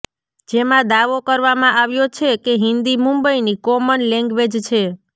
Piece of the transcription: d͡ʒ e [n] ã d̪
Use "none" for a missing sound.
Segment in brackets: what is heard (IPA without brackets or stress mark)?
m